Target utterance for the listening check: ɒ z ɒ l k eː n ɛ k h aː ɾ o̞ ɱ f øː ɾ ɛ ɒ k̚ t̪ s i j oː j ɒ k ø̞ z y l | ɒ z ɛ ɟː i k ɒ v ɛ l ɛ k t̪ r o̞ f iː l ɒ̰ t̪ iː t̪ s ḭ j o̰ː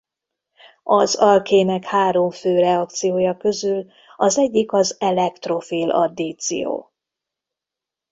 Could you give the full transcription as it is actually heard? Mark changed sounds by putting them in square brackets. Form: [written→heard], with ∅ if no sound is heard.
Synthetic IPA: ɒ z ɒ l k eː n ɛ k h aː ɾ o̞ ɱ f øː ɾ ɛ ɒ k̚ t̪ s i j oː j ɒ k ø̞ z y l | ɒ z ɛ ɟː i k ɒ [v→z] ɛ l ɛ k t̪ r o̞ f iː l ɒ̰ [t̪→d̪] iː t̪ s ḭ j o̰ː